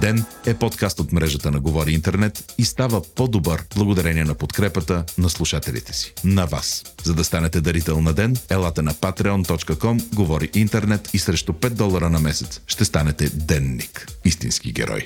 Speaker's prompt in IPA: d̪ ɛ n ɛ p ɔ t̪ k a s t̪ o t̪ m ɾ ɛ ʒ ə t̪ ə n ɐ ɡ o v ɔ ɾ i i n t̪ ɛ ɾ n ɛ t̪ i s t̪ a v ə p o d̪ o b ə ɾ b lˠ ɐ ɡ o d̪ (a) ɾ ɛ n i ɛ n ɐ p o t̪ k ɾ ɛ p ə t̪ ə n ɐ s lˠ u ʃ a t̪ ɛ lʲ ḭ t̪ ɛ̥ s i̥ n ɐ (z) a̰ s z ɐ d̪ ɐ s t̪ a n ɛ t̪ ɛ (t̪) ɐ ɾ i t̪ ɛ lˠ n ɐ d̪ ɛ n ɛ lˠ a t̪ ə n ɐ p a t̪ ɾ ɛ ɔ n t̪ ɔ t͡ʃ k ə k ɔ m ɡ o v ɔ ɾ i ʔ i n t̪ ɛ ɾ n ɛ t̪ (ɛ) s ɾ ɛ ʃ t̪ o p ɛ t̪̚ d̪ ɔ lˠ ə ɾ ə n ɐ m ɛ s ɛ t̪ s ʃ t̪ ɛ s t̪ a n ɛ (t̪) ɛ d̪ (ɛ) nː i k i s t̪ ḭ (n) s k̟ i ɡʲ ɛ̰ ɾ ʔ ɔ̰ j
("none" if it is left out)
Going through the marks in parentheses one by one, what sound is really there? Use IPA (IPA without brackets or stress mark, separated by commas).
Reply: ɐ, v, d̪, i, t̪, ɛ, n